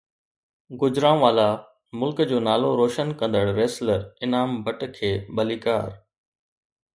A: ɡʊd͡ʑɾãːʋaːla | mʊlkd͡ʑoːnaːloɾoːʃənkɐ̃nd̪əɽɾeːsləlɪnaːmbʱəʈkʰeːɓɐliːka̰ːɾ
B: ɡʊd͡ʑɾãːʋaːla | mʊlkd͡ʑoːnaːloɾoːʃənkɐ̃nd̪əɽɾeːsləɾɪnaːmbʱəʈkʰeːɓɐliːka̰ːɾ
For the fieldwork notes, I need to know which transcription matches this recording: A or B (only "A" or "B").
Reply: B